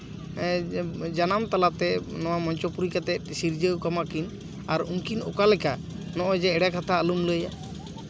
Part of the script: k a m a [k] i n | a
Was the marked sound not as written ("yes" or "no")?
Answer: no